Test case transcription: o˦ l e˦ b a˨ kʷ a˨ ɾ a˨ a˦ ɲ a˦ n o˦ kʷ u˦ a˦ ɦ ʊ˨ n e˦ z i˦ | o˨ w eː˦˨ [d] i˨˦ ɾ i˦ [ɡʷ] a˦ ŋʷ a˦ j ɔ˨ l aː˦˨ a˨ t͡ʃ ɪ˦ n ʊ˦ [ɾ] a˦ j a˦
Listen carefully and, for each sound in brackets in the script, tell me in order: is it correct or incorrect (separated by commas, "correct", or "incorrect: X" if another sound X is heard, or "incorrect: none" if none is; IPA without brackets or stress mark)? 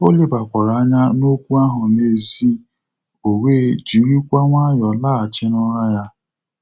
incorrect: d͡ʒ, incorrect: kʷ, correct